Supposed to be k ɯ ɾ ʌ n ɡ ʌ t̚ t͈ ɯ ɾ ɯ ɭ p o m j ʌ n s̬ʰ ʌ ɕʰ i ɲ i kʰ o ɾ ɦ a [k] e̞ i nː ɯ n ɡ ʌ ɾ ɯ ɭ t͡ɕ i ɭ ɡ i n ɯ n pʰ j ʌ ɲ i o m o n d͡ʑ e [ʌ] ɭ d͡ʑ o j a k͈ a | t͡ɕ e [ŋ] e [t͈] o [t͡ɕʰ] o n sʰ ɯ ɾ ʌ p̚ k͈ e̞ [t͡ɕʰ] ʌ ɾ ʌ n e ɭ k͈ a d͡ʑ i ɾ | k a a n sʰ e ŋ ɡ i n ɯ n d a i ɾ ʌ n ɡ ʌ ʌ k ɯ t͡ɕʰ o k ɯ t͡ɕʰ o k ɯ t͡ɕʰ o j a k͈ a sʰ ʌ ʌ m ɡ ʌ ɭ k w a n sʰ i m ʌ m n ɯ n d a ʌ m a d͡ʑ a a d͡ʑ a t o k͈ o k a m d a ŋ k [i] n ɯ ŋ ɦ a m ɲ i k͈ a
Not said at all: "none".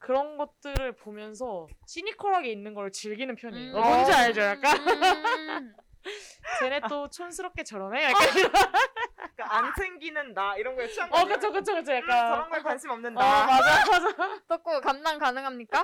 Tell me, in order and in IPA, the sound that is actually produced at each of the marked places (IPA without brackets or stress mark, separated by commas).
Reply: ɡ, a, n, t͈, t͡ɕʰ, t͡ɕ, a